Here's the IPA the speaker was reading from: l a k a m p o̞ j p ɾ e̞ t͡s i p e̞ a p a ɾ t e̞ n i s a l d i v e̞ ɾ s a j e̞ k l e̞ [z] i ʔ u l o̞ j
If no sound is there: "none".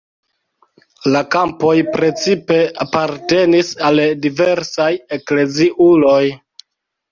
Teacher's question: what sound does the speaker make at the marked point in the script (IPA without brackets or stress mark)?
z